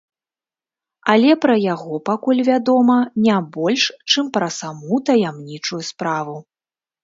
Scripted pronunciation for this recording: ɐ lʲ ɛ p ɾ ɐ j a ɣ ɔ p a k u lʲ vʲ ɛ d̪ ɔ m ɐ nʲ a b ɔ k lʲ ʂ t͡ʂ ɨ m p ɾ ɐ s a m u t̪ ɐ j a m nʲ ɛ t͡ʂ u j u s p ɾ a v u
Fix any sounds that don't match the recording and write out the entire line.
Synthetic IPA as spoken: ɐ lʲ ɛ p ɾ ɐ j a ɣ ɔ p a k u lʲ vʲ a d̪ ɔ m ɐ nʲ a b ɔ lʲ ʂ t͡ʂ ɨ m p ɾ ɐ s a m u t̪ ɐ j a m nʲ i t͡ʂ u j u s p ɾ a v u